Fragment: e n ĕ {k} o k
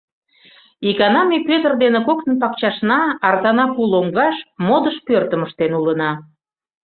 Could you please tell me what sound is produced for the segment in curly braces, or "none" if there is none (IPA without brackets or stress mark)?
k